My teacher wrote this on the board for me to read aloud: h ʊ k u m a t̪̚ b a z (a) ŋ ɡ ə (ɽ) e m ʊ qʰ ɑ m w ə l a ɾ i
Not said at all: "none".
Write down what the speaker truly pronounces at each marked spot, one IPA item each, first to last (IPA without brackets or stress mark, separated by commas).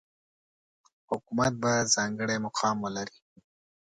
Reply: ɑ, ɽ